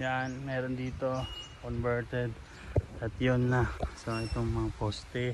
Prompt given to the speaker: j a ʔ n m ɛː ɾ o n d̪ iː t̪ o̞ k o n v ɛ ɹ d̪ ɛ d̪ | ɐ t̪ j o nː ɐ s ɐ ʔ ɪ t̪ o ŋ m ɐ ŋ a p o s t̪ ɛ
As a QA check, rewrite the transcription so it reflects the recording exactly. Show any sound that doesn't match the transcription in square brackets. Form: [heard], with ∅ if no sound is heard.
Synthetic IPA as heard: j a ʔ n m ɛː ɾ o n d̪ iː t̪ o̞ k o n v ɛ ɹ [t̪] ɛ d̪ | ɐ t̪ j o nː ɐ s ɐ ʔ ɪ t̪ o ŋ m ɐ ŋ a p o s t̪ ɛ

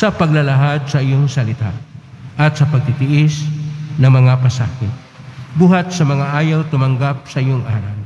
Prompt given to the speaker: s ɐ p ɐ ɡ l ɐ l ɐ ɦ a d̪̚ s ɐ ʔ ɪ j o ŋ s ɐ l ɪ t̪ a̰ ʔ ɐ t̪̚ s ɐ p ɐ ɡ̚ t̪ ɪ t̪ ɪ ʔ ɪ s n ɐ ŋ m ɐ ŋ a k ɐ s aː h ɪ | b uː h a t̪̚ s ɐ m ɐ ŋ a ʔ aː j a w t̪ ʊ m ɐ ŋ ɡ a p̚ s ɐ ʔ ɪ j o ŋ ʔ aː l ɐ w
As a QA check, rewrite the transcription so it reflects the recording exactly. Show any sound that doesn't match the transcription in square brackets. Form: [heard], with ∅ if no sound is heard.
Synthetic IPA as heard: s ɐ p ɐ ɡ l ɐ l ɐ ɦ a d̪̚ s ɐ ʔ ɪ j o ŋ s ɐ l ɪ t̪ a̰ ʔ ɐ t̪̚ s ɐ p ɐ ɡ̚ t̪ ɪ t̪ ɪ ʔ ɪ s n ɐ ŋ m ɐ ŋ a [p] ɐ s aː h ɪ | b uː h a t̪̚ s ɐ m ɐ ŋ a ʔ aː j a w t̪ ʊ m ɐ ŋ ɡ a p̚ s ɐ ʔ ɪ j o ŋ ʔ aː [ɾ] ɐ w

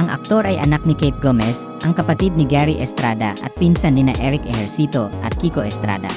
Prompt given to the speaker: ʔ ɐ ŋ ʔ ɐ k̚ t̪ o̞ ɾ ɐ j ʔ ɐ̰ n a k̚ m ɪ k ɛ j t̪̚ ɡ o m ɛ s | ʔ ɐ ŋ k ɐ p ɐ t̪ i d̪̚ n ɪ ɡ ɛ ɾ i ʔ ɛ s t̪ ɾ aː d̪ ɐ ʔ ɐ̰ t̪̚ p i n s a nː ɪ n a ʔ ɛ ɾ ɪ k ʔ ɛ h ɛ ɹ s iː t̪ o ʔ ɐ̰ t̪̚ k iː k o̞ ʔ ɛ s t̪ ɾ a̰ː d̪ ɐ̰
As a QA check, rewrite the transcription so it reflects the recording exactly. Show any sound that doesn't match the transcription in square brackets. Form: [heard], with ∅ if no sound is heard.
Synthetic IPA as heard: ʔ ɐ ŋ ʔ ɐ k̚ t̪ o̞ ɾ ɐ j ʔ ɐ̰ n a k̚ [n] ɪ k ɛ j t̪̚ ɡ o m ɛ s | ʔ ɐ ŋ k ɐ p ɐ t̪ i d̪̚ n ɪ ɡ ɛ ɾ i ʔ ɛ s t̪ ɾ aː d̪ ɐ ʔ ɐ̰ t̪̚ p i n s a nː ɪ n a ʔ ɛ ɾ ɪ k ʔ ɛ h ɛ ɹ s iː t̪ o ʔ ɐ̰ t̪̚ k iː k o̞ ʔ ɛ s t̪ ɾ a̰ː d̪ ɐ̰

